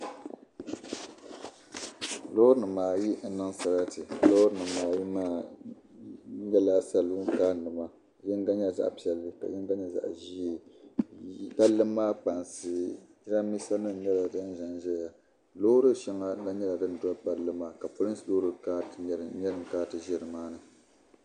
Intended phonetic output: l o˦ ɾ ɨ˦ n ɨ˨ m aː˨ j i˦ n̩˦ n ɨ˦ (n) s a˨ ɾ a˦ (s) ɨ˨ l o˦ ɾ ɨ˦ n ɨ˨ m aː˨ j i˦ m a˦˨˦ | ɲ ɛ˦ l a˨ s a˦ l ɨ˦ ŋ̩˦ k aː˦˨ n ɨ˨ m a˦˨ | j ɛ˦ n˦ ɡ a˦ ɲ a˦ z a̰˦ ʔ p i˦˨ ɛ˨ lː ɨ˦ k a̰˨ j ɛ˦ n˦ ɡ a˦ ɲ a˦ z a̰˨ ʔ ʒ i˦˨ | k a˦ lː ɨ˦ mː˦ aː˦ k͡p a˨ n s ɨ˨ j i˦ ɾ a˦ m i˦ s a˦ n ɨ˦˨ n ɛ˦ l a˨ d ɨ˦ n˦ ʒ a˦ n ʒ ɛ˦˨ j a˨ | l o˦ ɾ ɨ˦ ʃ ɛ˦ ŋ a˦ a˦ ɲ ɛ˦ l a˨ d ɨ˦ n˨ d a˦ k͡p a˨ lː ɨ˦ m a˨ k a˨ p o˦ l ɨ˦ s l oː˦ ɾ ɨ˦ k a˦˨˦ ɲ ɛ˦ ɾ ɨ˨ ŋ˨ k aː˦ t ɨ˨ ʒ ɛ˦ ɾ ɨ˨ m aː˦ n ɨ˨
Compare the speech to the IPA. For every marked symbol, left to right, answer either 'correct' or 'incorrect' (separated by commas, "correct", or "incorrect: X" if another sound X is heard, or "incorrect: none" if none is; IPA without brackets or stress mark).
incorrect: ŋ, incorrect: t